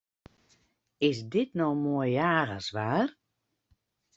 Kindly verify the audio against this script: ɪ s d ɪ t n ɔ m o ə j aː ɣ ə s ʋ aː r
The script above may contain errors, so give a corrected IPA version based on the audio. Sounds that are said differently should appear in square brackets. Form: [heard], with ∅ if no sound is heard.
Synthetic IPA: ɪ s d ɪ t n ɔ m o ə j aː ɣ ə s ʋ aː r